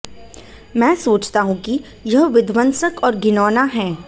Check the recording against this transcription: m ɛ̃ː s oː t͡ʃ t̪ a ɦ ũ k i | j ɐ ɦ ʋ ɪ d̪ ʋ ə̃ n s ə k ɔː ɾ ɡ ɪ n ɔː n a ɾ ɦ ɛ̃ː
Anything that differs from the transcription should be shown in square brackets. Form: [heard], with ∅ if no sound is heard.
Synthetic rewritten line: m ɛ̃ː s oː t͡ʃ t̪ a ɦ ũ k i | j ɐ ɦ ʋ ɪ d̪ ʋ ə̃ n s ə k ɔː ɾ ɡ ɪ n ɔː n a [∅] ɦ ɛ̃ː